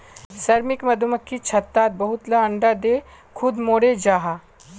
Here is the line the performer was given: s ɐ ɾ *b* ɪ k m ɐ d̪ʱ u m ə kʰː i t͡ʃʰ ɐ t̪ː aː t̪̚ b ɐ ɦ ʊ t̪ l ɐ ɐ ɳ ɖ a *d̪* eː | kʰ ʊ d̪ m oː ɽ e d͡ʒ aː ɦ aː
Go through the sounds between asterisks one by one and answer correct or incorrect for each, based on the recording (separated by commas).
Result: incorrect, correct